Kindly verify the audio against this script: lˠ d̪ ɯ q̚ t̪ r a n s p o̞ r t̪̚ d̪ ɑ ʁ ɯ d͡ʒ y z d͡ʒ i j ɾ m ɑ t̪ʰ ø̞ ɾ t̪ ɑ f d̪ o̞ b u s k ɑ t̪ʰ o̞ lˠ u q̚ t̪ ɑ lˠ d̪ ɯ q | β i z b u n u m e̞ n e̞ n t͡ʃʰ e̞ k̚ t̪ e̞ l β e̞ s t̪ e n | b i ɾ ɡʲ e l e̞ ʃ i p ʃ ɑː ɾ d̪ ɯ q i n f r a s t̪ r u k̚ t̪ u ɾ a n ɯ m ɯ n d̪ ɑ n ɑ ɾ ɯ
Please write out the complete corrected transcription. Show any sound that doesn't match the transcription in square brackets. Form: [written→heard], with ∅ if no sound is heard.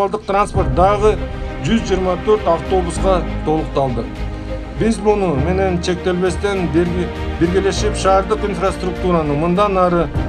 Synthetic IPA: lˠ d̪ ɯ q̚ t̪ r a n s p o̞ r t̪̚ d̪ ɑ ʁ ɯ d͡ʒ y z d͡ʒ i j ɾ m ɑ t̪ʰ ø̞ ɾ t̪ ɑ f [d̪→t̪] o̞ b u s [k→q] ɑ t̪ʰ o̞ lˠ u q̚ t̪ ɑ lˠ d̪ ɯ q | [β→b] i z b u n u m e̞ n e̞ n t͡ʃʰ e̞ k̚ t̪ e̞ l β e̞ s t̪ e n | b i ɾ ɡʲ e l e̞ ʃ i p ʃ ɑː ɾ d̪ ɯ q i n f r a s t̪ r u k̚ t̪ u ɾ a n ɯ m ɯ n d̪ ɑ n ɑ ɾ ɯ